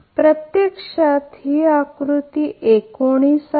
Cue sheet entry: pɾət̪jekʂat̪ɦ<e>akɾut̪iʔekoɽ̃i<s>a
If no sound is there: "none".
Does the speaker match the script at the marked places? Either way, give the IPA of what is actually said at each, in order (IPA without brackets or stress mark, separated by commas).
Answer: i, s